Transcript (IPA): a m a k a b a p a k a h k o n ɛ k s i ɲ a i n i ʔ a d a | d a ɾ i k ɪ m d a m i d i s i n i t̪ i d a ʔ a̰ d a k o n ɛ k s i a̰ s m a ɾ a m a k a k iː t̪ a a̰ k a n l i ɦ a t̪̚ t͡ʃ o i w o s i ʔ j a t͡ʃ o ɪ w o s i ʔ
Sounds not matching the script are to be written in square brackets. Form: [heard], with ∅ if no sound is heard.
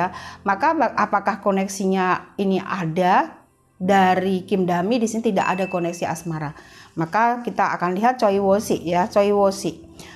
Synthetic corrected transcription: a m a k a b a p a k a h k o n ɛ k s i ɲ a i n i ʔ a d a | d a ɾ i k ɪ m d a m i d i s i n i t̪ i d a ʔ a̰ d a k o n ɛ k s i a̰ s m a ɾ a m a k a k [i] t̪ a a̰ k a n l i ɦ a t̪̚ t͡ʃ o i w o s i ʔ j a t͡ʃ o [i] w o s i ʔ